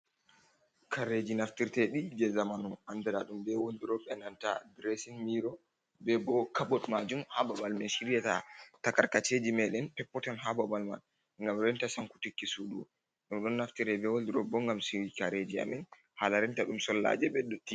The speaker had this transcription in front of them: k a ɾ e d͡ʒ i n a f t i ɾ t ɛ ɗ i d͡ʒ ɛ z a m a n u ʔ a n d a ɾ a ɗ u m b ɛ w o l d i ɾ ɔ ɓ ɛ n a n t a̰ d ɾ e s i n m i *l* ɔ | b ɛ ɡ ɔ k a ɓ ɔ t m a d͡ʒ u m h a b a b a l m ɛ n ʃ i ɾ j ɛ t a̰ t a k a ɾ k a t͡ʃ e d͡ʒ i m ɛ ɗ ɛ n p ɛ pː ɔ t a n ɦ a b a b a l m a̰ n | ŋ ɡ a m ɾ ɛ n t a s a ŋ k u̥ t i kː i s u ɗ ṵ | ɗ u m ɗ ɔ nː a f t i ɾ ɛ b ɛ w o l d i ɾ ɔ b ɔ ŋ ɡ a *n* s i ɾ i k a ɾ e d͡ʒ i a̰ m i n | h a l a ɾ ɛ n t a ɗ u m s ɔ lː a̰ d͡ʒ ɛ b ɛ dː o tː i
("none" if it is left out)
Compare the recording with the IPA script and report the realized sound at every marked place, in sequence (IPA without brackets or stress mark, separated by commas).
ɾ, m